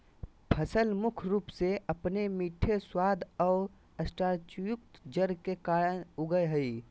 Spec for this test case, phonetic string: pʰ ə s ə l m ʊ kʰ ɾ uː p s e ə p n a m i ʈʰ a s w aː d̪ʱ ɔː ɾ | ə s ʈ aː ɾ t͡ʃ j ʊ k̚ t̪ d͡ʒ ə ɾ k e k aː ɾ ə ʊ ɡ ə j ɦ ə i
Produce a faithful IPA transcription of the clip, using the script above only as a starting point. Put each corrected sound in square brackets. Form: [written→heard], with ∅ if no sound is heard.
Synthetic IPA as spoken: pʰ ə s ə l m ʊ kʰ ɾ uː p s e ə p n [a→e] m i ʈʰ [a→e] s w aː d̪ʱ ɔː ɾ | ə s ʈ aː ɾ t͡ʃ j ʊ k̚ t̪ d͡ʒ ə ɾ k e k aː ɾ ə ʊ ɡ ə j ɦ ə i